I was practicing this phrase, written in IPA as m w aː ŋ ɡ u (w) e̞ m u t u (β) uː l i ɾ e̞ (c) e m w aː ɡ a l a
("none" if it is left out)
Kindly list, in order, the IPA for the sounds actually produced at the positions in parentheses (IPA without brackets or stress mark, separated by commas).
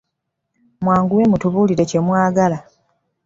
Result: w, β, c